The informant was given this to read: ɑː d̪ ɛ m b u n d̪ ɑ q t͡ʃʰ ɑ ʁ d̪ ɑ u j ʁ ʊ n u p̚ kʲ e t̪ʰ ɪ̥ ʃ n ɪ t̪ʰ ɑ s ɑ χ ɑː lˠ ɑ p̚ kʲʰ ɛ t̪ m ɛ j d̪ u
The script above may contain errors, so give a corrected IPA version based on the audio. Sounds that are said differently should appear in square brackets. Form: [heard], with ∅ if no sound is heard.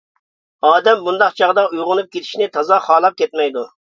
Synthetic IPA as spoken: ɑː d̪ ɛ m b u n d̪ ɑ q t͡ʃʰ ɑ ʁ d̪ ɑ u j ʁ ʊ n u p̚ kʲ e t̪ʰ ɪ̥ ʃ n ɪ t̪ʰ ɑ [z] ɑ χ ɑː lˠ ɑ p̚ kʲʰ ɛ t̪ m ɛ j d̪ u